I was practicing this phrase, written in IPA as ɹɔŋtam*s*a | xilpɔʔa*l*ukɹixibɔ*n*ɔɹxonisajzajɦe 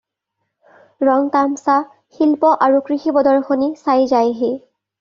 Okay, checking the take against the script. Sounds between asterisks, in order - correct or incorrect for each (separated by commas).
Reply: correct, incorrect, incorrect